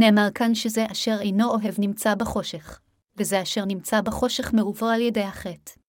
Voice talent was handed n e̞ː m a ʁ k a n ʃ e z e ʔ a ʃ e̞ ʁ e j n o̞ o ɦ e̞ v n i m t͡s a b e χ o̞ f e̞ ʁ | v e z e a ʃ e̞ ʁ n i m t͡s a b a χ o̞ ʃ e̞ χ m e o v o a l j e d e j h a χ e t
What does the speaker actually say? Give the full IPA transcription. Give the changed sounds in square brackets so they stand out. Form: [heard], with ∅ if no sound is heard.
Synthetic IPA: n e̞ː m a ʁ k a n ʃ e z e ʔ a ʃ e̞ ʁ e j n o̞ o ɦ e̞ v n i m t͡s a b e χ o̞ [ʃ] e̞ [χ] | v e z e a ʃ e̞ ʁ n i m t͡s a b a χ o̞ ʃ e̞ χ m e [u] v o a l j e d e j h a χ e t